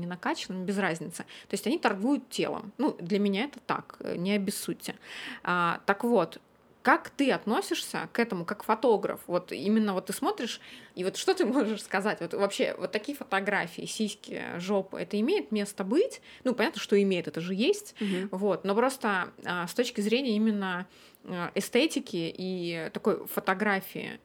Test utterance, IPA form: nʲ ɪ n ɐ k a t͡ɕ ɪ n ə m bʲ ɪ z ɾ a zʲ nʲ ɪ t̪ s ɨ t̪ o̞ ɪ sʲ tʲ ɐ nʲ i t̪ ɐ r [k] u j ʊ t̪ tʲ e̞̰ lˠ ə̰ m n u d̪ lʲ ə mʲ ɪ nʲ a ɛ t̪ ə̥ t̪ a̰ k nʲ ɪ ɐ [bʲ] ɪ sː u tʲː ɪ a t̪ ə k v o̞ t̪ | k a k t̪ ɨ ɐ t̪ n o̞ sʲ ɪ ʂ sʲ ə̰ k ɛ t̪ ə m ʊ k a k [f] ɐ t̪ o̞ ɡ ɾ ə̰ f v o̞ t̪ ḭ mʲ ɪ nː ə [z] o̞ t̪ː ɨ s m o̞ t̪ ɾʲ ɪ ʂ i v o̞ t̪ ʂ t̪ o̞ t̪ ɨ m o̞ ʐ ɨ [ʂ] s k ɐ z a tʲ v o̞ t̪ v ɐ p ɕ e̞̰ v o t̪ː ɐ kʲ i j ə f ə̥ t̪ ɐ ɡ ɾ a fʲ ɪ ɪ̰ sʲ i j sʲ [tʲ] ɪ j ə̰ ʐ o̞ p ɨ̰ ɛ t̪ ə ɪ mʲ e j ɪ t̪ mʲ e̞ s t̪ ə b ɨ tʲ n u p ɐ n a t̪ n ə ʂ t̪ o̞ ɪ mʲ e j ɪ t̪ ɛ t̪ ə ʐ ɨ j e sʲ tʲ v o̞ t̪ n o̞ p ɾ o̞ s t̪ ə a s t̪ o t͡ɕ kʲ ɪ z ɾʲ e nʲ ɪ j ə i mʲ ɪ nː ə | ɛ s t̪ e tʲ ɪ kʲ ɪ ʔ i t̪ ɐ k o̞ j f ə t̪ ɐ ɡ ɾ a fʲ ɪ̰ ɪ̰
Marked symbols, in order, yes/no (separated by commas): no, yes, yes, no, yes, no